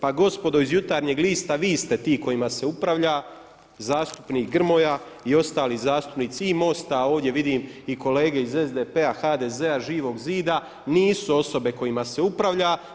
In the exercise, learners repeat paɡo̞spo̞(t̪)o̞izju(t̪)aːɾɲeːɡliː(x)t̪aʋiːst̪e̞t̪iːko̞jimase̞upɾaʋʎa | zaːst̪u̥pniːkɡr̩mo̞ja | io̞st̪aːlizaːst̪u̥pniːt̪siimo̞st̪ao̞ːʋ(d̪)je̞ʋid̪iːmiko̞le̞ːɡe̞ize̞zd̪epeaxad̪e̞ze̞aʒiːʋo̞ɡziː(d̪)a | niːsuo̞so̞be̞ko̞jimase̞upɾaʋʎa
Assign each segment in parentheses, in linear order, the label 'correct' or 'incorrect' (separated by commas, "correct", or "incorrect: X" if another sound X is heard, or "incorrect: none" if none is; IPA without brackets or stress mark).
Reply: incorrect: d̪, correct, incorrect: s, correct, correct